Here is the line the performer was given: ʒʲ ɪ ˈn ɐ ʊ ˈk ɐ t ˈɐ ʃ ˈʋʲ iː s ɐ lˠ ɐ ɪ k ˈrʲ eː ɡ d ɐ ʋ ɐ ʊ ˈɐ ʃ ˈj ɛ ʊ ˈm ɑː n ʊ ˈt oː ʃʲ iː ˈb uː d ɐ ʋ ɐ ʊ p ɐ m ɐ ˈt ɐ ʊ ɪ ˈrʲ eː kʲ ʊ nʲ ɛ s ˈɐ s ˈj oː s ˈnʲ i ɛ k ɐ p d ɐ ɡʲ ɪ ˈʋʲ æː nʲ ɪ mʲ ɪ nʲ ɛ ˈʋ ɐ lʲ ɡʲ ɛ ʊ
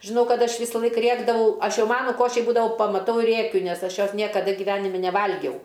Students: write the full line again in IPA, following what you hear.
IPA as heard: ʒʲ ɪ ˈn ɐ ʊ ˈk ɐ t ˈɐ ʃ ˈʋʲ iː s ɐ lˠ ɐ ɪ k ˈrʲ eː ɡ d ɐ ʋ ɐ ʊ ˈɐ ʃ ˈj ɛ ʊ ˈm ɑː n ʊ ˈk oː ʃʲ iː ˈb uː d ɐ ʋ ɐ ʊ p ɐ m ɐ ˈt ɐ ʊ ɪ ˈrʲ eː kʲ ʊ nʲ ɛ s ˈɐ ʃ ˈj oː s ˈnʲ i ɛ k ɐ d ɐ ɡʲ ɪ ˈʋʲ æː nʲ ɪ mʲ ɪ nʲ ɛ ˈʋ ɐ lʲ ɡʲ ɛ ʊ